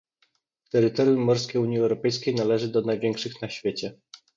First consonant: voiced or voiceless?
voiceless